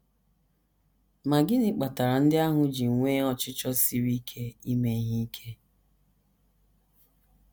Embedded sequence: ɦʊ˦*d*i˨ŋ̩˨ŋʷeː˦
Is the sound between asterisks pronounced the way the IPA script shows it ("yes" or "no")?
no